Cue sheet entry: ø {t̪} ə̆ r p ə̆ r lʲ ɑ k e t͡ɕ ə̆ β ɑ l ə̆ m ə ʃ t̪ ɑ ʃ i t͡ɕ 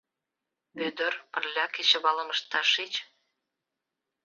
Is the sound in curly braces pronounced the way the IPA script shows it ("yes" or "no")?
no